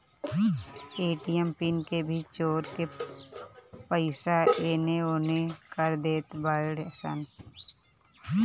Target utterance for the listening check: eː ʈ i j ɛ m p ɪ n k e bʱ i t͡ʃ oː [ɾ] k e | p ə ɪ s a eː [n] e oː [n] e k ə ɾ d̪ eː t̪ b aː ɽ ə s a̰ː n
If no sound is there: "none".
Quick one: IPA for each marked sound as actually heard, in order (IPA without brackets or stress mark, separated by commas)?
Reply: ɾ, n, n